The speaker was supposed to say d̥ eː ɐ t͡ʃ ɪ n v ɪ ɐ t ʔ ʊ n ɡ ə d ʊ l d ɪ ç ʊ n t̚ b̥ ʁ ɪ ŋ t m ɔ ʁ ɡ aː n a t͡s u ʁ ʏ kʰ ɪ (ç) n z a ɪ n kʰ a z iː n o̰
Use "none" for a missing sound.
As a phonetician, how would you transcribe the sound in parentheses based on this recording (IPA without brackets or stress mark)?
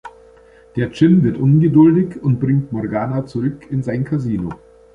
none